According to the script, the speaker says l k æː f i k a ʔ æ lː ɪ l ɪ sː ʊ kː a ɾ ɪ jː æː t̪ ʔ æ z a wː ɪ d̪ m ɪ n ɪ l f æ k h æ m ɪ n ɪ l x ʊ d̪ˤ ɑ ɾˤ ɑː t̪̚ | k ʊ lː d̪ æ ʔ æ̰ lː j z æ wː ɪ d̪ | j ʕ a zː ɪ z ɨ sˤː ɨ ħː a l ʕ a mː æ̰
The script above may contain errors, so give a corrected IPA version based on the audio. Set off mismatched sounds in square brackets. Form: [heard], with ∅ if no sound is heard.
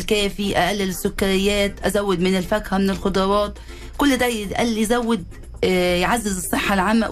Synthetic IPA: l k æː f i [ʔ] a ʔ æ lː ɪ l ɪ sː ʊ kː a ɾ ɪ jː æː t̪ ʔ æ z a wː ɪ d̪ m ɪ n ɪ l f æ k h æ m ɪ n ɪ l x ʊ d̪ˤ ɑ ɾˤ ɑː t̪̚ | k ʊ lː d̪ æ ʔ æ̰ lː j z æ wː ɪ d̪ | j ʕ a zː ɪ z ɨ sˤː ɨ ħː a l ʕ a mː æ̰